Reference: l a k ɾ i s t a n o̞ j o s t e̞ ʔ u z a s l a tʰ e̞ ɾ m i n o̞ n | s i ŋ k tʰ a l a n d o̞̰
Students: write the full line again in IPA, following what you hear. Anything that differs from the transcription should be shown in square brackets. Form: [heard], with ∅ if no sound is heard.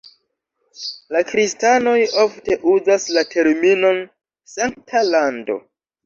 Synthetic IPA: l a k ɾ i s t a n o̞ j o [f] t e̞ ʔ u z a s l a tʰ e̞ ɾ m i n o̞ n | s [a] ŋ k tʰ a l a n d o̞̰